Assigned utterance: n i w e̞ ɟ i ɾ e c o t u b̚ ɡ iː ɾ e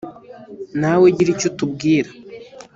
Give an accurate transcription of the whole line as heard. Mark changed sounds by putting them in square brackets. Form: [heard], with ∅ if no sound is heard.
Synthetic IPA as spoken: n [a] w e̞ ɟ i ɾ [i] c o t u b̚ ɡ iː ɾ [a]